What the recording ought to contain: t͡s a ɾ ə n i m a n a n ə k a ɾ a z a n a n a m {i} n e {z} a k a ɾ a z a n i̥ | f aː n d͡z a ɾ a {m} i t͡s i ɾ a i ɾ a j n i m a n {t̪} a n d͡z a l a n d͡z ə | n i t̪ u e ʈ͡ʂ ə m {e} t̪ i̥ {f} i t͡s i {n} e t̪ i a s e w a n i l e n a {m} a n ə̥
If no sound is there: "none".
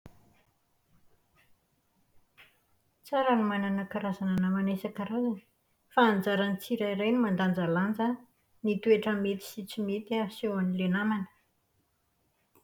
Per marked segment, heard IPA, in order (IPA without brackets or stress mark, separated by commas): a, s, n, d̪, e, s, m, m